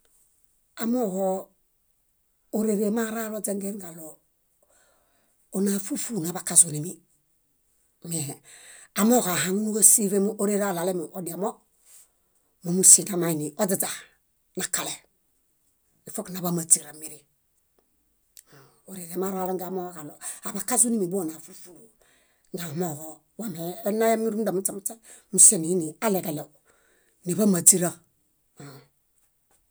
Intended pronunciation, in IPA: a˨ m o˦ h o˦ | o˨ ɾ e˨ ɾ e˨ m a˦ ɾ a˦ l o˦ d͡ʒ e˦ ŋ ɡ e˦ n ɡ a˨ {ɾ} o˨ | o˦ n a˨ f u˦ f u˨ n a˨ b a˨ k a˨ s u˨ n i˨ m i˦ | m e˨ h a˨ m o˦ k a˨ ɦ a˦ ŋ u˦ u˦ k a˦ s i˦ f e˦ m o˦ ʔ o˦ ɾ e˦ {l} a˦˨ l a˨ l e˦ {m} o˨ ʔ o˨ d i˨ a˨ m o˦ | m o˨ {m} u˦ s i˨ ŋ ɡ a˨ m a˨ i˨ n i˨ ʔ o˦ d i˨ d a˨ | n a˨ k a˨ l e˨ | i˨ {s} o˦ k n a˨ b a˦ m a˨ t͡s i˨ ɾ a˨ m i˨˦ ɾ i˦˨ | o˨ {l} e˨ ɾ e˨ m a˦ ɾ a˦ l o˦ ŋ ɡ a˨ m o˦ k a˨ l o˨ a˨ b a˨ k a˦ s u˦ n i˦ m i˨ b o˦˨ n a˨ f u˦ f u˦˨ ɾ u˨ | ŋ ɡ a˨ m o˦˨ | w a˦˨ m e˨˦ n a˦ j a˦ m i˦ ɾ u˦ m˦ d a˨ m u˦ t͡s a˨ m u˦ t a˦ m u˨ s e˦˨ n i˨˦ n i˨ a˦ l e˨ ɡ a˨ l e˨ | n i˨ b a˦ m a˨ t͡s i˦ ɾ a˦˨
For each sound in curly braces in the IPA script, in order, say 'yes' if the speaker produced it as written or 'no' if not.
no, no, yes, yes, no, no

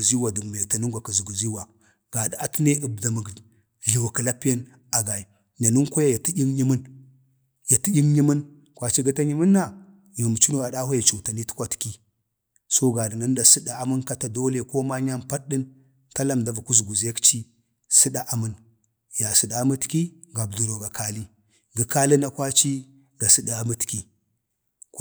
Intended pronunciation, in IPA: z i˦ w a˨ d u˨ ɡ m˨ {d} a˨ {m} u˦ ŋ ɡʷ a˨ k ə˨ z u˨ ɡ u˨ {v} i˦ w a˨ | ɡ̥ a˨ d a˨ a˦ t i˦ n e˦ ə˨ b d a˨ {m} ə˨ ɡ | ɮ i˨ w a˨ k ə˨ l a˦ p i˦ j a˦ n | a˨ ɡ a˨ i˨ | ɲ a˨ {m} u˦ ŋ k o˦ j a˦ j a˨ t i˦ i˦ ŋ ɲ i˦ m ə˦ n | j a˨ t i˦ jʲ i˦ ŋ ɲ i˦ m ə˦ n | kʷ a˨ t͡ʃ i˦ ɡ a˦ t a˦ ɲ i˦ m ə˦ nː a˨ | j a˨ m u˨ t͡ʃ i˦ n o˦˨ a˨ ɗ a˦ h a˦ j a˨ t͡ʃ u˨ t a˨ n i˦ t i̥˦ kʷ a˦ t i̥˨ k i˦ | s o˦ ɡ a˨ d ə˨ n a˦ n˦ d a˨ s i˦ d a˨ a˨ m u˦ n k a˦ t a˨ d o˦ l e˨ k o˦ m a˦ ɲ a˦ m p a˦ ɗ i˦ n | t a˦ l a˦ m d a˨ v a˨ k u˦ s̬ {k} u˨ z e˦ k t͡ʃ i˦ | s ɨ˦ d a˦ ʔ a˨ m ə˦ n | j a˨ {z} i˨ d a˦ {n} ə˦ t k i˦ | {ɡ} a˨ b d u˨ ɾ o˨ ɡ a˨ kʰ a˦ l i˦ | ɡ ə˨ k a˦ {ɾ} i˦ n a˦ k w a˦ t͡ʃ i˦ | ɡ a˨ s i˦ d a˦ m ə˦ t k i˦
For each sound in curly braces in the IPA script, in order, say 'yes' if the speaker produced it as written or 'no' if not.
no, no, no, yes, no, no, no, no, yes, no

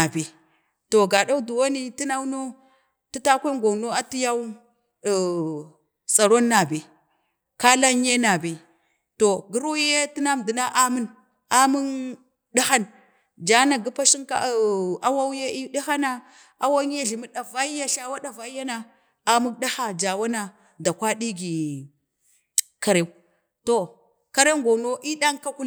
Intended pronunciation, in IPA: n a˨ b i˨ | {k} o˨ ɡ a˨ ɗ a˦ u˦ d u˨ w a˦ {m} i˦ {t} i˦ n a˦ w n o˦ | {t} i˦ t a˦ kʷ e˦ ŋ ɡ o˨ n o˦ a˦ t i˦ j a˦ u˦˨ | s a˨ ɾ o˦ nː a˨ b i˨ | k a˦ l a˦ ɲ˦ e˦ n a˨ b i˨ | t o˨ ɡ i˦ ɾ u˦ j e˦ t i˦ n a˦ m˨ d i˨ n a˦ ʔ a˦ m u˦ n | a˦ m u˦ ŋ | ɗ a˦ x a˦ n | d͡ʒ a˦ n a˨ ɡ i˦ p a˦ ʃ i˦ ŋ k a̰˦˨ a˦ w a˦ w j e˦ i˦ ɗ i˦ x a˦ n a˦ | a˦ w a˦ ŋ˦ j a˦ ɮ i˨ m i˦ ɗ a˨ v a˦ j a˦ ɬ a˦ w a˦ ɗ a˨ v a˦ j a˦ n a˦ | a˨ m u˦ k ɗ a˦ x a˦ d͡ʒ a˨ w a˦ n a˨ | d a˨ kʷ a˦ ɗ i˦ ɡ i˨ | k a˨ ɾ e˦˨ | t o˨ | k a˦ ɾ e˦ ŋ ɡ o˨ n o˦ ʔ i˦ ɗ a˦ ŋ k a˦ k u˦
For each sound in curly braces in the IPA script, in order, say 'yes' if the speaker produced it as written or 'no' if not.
no, no, yes, yes

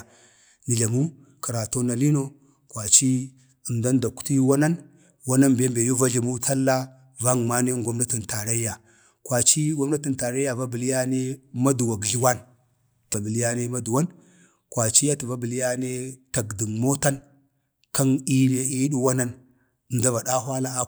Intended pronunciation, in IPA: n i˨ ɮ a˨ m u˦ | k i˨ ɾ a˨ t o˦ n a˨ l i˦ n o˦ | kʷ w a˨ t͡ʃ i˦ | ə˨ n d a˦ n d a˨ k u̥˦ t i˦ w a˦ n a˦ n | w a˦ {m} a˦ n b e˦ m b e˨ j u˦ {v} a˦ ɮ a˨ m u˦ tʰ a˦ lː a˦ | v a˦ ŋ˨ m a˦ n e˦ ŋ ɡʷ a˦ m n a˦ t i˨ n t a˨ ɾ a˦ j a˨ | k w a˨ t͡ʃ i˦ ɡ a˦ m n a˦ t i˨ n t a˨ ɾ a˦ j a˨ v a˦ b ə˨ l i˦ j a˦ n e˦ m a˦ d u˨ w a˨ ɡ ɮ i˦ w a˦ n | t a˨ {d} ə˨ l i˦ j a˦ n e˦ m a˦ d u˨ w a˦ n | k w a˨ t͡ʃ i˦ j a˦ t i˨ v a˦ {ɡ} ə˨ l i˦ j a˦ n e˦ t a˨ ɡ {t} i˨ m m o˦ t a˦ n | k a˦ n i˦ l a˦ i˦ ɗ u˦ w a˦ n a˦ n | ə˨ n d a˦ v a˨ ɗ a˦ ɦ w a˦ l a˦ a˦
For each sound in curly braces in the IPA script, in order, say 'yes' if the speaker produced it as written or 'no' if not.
no, yes, no, no, no

